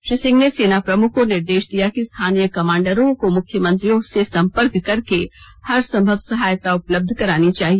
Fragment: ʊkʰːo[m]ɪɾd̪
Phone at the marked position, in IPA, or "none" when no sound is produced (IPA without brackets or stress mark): n